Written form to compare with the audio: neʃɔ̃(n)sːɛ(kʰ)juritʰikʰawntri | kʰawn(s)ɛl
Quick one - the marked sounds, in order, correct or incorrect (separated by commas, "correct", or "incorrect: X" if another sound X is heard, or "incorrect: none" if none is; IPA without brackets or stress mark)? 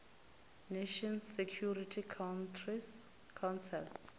correct, correct, correct